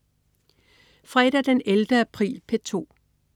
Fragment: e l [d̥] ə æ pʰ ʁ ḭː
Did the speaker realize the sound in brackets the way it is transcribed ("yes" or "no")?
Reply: yes